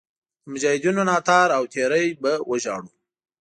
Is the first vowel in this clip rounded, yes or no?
yes